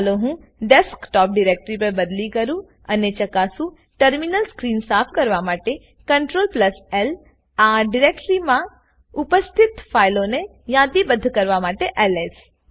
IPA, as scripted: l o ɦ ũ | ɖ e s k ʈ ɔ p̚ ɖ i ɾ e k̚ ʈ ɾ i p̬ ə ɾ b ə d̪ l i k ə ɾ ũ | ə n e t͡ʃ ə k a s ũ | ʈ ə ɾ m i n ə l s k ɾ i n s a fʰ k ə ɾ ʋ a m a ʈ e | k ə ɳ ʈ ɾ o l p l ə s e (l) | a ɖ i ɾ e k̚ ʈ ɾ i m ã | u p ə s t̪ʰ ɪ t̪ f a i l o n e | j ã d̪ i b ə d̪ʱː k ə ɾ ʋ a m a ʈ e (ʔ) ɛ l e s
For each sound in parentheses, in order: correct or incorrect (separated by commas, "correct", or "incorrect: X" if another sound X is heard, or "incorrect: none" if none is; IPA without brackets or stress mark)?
correct, correct